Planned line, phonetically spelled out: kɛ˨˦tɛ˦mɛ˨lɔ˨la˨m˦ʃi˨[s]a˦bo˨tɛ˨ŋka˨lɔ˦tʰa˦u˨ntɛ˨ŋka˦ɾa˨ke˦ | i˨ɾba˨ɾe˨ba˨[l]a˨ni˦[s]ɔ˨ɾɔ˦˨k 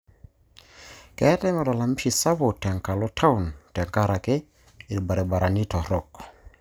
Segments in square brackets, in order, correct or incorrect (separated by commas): correct, incorrect, incorrect